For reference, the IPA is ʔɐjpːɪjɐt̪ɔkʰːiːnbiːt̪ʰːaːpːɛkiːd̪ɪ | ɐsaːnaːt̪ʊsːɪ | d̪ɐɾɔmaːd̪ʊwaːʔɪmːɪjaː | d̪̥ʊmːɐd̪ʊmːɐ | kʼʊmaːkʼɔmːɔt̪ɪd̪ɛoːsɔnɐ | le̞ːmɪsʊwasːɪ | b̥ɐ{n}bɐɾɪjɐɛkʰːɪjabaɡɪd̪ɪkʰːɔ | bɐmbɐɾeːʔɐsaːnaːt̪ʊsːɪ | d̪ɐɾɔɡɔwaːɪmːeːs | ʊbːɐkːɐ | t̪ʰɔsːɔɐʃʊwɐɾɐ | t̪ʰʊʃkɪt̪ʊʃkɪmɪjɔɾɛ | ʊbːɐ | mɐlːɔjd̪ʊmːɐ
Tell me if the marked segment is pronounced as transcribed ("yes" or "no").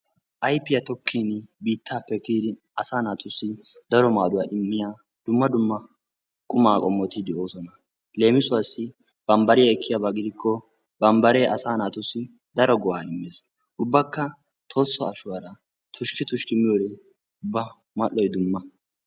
no